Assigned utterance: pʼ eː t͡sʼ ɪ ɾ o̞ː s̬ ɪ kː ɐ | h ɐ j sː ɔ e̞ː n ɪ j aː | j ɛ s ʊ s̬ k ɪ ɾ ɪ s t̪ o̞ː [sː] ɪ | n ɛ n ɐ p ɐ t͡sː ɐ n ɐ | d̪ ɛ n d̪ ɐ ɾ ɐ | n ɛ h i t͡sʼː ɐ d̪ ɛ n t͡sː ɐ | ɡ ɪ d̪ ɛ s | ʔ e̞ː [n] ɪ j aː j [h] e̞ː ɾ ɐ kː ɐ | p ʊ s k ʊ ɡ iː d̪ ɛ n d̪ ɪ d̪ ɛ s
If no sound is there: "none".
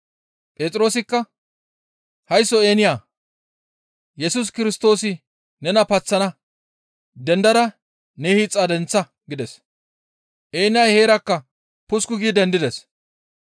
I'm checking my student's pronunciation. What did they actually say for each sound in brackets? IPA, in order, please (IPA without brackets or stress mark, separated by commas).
s, n, h